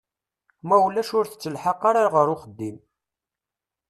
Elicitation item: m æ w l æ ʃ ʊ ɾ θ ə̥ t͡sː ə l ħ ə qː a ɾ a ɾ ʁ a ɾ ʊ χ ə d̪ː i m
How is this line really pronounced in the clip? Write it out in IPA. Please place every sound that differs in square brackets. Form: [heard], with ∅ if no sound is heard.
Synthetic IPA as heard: m æ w l æ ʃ ʊ ɾ θ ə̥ t͡sː ə l ħ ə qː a ɾ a ɾ ʁ [ə] ɾ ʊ χ ə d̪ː i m